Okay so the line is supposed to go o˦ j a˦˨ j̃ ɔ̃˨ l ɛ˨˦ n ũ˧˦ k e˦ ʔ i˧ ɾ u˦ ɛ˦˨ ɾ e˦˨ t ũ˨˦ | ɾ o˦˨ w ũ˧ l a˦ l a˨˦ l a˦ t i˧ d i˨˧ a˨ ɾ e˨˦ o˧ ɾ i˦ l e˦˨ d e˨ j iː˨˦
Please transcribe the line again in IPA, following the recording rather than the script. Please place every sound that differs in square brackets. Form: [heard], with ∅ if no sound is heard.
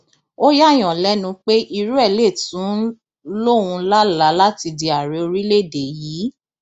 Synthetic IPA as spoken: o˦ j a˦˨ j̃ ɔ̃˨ l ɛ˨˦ n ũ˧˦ [k͡p] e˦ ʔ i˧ ɾ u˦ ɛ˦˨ [l] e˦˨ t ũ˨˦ | [l] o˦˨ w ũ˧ l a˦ l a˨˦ l a˦ t i˧ d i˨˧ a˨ ɾ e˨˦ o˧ ɾ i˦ l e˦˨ d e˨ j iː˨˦